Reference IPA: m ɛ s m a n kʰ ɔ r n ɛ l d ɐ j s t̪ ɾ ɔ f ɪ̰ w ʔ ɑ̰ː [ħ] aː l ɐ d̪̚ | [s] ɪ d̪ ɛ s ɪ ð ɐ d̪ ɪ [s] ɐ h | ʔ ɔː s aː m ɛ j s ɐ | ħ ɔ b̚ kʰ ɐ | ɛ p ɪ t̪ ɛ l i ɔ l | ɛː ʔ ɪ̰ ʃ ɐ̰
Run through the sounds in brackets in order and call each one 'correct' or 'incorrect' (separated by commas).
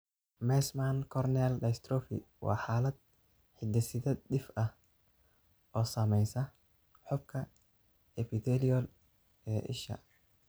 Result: correct, incorrect, incorrect